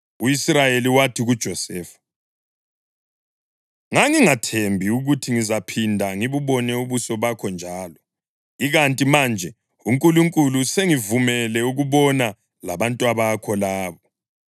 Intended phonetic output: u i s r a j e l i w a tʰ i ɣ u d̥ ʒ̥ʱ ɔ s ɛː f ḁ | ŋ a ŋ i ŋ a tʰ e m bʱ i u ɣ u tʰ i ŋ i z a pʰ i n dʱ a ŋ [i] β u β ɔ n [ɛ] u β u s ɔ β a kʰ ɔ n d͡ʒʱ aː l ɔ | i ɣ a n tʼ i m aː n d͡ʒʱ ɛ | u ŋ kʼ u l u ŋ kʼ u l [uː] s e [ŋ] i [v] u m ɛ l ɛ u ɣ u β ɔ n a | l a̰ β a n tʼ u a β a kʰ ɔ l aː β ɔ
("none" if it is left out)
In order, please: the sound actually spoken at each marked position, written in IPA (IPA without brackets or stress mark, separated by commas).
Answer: i, ɛ, u, ŋ, v